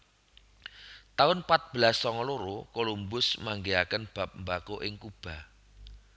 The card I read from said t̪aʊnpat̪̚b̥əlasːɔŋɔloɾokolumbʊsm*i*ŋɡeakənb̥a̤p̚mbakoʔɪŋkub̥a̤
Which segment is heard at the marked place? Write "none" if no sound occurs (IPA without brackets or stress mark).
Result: a